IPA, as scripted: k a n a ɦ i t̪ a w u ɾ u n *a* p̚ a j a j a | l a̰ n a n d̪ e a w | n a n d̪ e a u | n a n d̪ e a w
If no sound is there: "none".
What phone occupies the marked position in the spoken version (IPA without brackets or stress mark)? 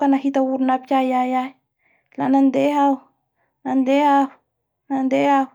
a